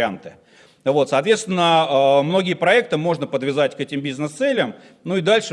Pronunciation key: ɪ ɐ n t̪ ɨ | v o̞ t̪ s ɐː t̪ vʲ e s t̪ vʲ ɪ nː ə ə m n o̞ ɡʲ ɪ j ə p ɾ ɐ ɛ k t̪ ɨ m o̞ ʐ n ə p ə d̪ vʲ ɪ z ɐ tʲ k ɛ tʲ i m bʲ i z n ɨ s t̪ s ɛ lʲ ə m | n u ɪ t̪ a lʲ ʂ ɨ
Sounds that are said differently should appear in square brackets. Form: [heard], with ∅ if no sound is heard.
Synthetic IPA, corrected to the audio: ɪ [a] n t̪ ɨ | v o̞ t̪ s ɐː t̪ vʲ e s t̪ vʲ ɪ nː ə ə m n o̞ ɡʲ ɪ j ə p ɾ ɐ ɛ k t̪ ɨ m o̞ ʐ n ə p ə d̪ vʲ ɪ z [a] tʲ k ɛ tʲ [ɪ] m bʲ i z n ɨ s t̪ s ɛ lʲ ə m | n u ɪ [d̪] a lʲ ʂ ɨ